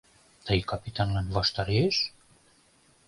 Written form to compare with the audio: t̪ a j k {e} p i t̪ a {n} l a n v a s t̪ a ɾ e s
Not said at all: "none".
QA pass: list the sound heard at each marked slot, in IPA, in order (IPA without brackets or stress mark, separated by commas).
a, n